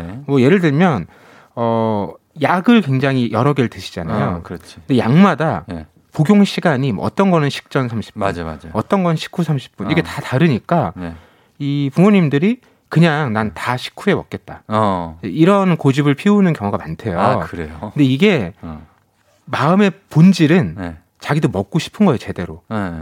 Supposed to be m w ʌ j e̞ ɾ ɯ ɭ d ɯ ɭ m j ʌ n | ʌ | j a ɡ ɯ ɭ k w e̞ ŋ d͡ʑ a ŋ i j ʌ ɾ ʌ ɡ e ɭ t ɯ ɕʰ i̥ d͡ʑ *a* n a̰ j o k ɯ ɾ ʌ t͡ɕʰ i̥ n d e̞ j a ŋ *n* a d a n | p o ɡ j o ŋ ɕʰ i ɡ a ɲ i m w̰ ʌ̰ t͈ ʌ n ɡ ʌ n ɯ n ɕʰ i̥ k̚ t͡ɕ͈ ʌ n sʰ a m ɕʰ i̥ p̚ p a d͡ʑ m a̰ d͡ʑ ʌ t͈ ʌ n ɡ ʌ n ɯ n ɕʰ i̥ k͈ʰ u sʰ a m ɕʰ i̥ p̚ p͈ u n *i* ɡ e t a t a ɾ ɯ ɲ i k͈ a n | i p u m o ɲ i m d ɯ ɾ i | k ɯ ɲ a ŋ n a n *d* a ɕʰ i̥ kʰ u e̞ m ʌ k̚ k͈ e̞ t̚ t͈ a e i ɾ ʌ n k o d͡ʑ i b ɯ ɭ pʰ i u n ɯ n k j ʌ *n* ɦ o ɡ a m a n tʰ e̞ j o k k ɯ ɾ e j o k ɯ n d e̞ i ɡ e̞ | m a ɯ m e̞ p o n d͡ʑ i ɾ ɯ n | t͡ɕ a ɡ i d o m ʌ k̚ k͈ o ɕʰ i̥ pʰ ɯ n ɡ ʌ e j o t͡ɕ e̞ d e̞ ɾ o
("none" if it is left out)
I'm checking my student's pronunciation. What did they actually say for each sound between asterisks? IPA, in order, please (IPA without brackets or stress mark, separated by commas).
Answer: a, m, i, t, ŋ